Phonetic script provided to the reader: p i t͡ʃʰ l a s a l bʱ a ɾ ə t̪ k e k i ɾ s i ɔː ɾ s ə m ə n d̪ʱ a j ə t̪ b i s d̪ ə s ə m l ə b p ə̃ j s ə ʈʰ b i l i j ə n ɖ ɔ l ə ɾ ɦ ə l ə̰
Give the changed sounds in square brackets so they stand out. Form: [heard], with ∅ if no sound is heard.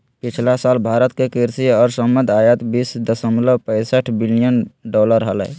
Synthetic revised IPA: p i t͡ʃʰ l a s a l bʱ a ɾ ə t̪ k e k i ɾ s i ɔː ɾ s ə m ə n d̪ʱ a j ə t̪ b i s d̪ ə s ə m l ə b p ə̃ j s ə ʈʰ b i l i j ə n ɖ ɔ l ə ɾ ɦ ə l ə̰